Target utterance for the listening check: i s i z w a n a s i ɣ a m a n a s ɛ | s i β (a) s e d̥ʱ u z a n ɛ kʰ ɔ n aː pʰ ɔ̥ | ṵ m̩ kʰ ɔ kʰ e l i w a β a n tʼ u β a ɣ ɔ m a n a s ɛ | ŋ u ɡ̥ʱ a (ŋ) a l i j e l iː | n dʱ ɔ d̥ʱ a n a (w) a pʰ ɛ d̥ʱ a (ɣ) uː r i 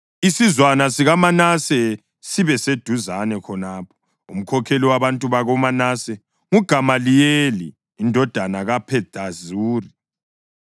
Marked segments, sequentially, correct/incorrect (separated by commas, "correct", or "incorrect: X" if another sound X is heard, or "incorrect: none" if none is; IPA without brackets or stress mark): incorrect: ɛ, incorrect: m, incorrect: ɣ, incorrect: z